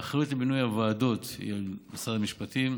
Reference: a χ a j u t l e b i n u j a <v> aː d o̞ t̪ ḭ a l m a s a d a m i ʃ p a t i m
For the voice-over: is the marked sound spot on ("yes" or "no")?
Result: yes